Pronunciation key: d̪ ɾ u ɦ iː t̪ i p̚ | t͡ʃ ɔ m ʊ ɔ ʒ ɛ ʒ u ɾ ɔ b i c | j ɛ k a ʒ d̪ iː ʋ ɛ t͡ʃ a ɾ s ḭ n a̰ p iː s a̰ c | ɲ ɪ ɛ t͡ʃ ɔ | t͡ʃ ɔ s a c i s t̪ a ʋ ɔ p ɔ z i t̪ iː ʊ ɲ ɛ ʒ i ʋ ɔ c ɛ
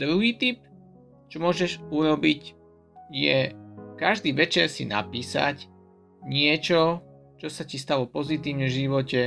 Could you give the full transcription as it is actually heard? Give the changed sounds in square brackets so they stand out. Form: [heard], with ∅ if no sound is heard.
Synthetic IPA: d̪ ɾ u ɦ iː t̪ i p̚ | t͡ʃ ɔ m ʊ ɔ ʒ ɛ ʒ u ɾ ɔ b i c | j ɛ k a ʒ d̪ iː ʋ ɛ t͡ʃ [ɛ] ɾ s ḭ n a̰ p iː s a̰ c | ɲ ɪ ɛ t͡ʃ ɔ | t͡ʃ ɔ s a c i s t̪ a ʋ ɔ p ɔ z i t̪ iː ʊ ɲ ɛ ʒ i ʋ ɔ c ɛ